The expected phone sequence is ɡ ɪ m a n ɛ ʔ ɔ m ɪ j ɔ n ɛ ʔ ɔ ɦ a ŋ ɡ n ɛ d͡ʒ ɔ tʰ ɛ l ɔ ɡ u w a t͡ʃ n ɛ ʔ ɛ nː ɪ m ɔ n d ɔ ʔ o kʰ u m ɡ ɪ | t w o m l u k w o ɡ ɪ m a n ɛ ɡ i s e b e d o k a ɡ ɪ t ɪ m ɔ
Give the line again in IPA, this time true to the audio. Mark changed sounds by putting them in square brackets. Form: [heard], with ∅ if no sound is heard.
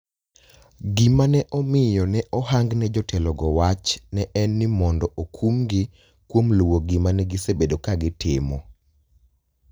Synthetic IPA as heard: ɡ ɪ m a n ɛ ʔ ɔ m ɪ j ɔ n ɛ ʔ ɔ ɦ a ŋ ɡ n ɛ d͡ʒ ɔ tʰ ɛ l ɔ ɡ [ɔ] w a t͡ʃ n ɛ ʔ ɛ nː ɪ m ɔ n d ɔ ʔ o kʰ u m ɡ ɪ | [k] w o m l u [∅] w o ɡ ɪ m a n ɛ ɡ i s e b e d o k a ɡ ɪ t ɪ m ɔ